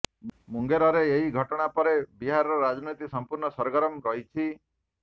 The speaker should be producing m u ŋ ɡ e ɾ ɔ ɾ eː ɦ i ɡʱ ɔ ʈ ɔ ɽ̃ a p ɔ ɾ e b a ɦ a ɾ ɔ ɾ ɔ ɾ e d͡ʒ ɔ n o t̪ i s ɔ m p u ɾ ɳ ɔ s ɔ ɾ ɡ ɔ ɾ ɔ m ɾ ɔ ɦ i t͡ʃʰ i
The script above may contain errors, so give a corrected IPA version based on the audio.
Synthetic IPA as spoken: m u ŋ ɡ e ɾ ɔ ɾ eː ɦ i ɡʱ ɔ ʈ ɔ ɽ̃ a p ɔ ɾ e b i ɦ a ɾ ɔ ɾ ɔ ɾ a d͡ʒ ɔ n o t̪ i s ɔ m p u ɾ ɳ ɔ s ɔ ɾ ɡ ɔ ɾ ɔ m ɾ ɔ ɦ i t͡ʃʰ i